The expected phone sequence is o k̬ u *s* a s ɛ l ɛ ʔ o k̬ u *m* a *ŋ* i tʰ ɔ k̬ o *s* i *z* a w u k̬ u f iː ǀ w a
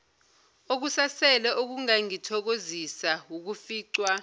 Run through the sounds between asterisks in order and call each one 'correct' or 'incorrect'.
correct, incorrect: ŋ, correct, incorrect: z, incorrect: s

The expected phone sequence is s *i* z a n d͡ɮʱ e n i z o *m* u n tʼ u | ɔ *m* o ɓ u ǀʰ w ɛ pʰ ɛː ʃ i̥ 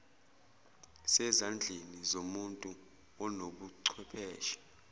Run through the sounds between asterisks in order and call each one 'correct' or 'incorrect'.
incorrect: ɛ, correct, incorrect: n

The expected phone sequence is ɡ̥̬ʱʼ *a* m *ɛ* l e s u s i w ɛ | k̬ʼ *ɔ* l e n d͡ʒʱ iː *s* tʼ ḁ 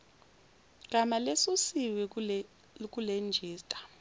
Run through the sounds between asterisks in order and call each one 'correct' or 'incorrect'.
correct, incorrect: a, incorrect: u, correct

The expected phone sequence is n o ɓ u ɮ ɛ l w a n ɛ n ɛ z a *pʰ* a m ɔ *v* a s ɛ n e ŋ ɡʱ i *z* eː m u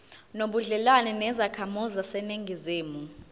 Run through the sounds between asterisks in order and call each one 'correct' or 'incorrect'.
incorrect: kʰ, incorrect: z, correct

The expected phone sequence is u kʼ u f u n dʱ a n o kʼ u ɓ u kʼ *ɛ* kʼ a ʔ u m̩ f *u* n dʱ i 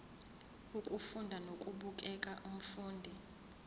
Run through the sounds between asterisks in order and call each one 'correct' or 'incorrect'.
correct, incorrect: uː

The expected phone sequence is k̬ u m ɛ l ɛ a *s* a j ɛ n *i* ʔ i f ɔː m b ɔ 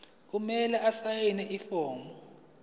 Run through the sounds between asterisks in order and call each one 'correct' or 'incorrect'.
correct, incorrect: ɛ

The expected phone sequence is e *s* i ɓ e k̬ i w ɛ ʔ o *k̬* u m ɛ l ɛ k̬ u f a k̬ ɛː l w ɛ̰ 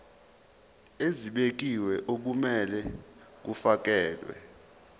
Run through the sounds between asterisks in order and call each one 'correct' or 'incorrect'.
incorrect: z, correct

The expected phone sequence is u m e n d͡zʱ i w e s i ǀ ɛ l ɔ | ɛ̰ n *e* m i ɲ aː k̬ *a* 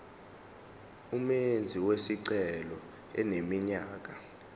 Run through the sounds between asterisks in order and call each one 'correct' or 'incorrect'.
correct, correct

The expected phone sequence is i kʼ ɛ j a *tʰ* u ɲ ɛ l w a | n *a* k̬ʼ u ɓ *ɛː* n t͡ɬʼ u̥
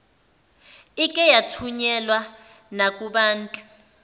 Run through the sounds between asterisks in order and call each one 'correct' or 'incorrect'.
correct, correct, incorrect: aː

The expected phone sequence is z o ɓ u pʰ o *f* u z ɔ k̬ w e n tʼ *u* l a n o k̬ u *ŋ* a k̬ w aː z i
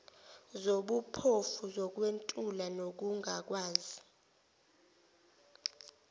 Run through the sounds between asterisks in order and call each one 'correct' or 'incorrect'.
correct, correct, correct

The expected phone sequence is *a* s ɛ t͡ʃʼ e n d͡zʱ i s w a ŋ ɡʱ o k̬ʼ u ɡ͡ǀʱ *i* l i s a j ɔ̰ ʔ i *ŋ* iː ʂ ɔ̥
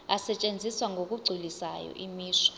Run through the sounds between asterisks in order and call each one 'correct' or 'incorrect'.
correct, correct, incorrect: m

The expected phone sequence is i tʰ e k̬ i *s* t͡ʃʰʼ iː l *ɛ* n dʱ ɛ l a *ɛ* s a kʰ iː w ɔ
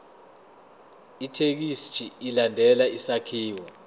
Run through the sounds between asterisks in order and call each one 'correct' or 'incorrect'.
correct, incorrect: a, incorrect: i

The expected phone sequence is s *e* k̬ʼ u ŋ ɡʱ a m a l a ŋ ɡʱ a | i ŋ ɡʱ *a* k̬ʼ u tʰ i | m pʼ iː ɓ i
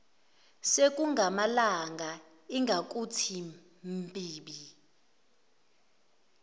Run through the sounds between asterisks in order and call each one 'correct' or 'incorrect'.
correct, correct

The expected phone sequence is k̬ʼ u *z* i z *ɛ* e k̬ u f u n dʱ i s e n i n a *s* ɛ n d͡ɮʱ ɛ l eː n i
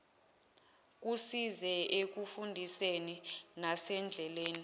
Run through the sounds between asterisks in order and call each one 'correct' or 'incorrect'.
incorrect: s, correct, correct

